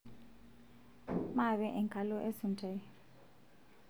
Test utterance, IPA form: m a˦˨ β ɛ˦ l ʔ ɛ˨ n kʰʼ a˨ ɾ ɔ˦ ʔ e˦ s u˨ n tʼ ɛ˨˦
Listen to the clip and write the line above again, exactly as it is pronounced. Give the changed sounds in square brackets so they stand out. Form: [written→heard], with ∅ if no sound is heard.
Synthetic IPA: m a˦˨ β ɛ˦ [l→∅] ʔ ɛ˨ [n→ŋ] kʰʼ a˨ [ɾ→l] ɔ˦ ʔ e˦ s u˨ n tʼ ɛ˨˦